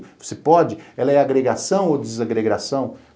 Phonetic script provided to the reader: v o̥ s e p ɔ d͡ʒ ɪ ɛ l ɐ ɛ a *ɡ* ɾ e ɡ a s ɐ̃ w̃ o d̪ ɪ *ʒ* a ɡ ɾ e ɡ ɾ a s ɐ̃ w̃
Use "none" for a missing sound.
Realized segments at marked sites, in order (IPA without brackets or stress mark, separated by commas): ɡ, z